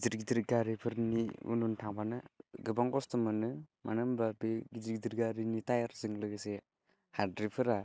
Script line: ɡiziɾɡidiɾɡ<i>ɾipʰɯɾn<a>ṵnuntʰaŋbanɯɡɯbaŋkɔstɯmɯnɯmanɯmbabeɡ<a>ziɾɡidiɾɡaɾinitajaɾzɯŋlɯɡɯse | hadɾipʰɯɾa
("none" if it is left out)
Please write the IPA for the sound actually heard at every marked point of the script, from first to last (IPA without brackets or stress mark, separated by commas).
a, i, i